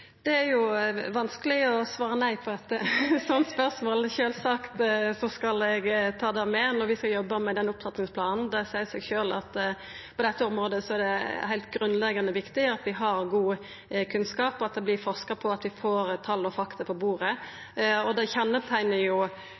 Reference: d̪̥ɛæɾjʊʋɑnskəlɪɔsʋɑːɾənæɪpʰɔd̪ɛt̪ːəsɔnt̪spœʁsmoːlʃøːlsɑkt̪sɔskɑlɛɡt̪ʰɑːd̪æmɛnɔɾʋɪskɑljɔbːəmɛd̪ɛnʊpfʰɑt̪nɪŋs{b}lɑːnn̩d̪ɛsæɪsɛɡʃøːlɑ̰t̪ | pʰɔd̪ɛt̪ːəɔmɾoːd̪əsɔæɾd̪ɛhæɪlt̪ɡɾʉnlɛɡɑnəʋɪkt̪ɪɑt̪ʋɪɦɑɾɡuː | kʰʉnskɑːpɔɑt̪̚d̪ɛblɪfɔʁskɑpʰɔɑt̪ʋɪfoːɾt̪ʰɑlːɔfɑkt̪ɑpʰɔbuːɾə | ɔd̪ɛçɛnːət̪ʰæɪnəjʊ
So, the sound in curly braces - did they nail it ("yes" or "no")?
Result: no